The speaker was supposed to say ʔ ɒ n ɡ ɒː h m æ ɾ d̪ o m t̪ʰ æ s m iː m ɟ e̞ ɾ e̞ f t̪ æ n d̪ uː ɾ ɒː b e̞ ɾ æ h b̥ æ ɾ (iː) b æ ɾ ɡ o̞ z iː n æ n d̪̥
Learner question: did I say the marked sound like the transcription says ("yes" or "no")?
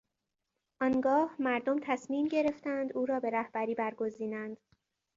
yes